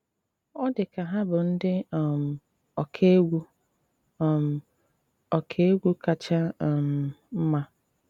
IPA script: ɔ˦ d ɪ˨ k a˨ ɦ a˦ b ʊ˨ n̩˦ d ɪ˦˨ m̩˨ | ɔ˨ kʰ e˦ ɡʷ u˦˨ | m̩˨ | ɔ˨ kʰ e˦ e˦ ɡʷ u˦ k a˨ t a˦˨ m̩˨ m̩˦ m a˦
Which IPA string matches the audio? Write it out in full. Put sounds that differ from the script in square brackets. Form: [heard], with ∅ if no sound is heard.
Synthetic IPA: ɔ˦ d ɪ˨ k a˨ ɦ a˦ b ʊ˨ n̩˦ d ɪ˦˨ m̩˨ | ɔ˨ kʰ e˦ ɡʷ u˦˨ | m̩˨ | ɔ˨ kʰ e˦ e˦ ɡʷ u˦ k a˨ [t͡ʃ] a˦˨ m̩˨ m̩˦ m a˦

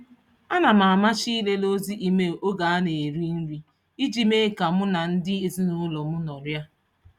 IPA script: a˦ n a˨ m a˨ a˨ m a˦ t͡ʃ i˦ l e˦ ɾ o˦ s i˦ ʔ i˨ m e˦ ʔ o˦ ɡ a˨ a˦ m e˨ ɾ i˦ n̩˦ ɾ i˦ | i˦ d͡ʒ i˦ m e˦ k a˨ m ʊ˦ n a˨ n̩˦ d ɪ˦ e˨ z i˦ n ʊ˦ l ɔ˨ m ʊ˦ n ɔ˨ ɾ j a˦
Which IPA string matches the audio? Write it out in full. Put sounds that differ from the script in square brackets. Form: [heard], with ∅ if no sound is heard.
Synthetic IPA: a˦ n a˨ m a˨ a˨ m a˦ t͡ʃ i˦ l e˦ [l] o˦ [z] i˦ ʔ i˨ m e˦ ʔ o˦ ɡ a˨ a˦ [n] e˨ ɾ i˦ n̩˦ ɾ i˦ | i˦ d͡ʒ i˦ m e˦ k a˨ m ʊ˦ n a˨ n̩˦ d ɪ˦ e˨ z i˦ n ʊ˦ l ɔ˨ m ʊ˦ n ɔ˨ ɾ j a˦

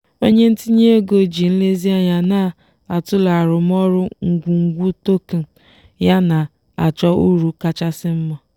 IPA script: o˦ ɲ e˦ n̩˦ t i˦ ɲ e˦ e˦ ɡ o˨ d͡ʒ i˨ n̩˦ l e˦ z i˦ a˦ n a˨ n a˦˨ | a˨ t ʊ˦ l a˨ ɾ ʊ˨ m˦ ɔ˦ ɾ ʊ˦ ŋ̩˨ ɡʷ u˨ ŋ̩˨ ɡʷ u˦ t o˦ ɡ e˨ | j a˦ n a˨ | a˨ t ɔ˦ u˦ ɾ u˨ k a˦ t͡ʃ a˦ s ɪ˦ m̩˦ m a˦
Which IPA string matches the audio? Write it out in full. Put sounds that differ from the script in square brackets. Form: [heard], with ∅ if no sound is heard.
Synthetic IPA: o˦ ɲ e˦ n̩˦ t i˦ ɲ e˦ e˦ ɡ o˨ d͡ʒ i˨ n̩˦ l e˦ z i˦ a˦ [ɲ] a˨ n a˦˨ | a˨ t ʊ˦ l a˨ ɾ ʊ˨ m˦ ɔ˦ ɾ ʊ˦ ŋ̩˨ ɡʷ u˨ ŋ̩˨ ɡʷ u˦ t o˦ [k] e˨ | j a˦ n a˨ | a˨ [t͡ʃ] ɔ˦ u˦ ɾ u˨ k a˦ t͡ʃ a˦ s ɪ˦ m̩˦ m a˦

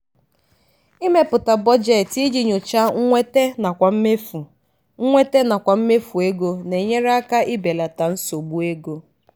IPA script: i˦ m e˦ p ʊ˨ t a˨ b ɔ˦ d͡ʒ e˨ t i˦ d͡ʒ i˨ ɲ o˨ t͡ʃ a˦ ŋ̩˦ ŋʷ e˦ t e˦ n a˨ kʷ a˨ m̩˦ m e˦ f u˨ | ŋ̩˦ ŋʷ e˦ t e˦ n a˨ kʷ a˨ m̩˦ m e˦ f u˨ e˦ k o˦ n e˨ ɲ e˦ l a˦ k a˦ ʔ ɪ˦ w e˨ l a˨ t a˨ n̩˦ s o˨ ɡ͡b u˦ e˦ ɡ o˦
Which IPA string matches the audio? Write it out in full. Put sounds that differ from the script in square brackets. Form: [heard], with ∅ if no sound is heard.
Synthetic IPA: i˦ m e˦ p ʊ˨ t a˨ b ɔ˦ d͡ʒ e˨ t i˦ d͡ʒ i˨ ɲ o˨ t͡ʃ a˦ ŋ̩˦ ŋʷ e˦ t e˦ n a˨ kʷ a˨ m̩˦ m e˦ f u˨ | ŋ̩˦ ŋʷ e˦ t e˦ n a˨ kʷ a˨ m̩˦ m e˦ f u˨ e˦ [ɡ] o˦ n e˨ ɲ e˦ [ɾ] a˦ k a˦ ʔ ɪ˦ [b] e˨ l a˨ t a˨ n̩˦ s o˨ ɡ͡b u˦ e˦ ɡ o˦

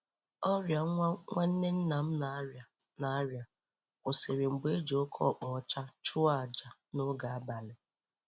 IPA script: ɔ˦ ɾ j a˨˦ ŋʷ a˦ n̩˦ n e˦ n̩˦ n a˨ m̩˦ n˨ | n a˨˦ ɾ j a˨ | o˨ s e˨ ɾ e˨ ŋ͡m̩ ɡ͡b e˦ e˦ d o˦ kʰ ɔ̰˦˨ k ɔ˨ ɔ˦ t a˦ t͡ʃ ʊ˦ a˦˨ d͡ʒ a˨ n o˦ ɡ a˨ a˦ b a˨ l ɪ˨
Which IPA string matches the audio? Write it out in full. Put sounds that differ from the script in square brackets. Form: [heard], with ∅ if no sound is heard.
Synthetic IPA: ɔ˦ ɾ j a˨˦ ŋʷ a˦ n̩˦ n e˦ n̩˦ n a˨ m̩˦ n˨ | n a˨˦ ɾ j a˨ | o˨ s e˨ ɾ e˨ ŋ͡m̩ ɡ͡b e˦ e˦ [d͡ʒ] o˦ kʰ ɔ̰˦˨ [k͡p] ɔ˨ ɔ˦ [t͡ʃ] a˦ t͡ʃ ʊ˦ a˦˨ d͡ʒ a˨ n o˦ ɡ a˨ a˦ b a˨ l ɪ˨

